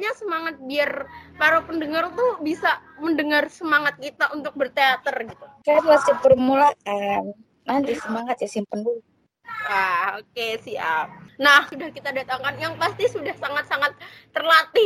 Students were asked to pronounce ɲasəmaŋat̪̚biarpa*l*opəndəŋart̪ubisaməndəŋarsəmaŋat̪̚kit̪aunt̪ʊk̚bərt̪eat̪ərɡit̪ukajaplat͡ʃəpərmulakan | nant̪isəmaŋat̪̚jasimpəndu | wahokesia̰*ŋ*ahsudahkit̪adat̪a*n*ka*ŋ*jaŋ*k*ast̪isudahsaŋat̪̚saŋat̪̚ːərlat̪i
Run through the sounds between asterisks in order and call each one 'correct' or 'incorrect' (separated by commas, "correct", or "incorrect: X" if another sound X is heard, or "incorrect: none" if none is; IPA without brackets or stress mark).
incorrect: ɾ, incorrect: n, incorrect: ŋ, incorrect: n, incorrect: p